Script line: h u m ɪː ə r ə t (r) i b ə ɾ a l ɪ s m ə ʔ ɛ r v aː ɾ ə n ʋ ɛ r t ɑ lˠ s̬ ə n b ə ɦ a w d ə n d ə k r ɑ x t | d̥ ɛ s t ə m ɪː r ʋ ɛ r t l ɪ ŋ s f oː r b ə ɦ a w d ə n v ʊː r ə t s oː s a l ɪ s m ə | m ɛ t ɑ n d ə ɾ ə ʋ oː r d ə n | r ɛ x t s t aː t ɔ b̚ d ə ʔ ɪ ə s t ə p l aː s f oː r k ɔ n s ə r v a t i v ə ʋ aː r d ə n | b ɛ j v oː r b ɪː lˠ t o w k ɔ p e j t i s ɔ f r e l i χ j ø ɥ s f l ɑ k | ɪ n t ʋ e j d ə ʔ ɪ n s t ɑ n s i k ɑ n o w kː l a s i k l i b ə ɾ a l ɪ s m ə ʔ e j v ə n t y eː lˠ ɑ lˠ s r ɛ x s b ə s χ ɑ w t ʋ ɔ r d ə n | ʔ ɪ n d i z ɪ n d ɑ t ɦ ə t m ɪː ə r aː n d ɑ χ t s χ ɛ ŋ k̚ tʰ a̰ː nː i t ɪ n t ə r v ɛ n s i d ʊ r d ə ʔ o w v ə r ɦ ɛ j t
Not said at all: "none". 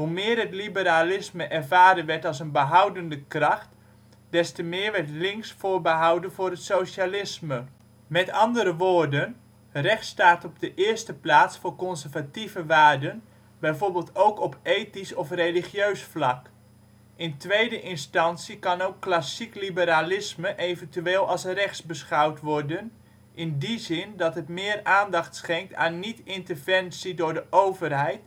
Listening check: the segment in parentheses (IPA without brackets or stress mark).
l